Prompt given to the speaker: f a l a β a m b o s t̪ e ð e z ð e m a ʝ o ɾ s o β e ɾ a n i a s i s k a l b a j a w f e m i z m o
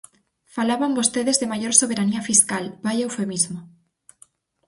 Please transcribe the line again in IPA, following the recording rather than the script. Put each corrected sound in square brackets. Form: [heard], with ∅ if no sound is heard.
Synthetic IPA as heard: f a l a β a m b o s t̪ e ð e z ð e m a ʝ o ɾ s o β e ɾ a n i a [f] i s k a l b a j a w f e m i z m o